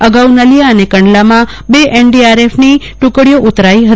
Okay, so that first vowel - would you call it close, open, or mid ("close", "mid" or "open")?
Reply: mid